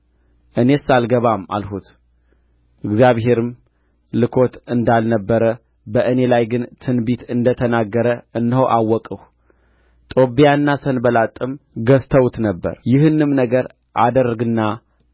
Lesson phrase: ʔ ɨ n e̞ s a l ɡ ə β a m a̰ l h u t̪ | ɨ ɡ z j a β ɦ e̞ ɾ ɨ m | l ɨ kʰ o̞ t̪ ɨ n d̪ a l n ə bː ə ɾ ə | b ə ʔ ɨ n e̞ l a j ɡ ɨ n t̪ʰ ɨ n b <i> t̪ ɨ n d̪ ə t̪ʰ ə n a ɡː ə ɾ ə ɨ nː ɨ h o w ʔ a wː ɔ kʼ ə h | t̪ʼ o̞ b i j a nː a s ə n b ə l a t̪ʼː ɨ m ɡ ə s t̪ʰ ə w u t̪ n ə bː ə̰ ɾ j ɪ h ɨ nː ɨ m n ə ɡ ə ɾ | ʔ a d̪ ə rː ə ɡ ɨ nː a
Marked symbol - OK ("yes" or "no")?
yes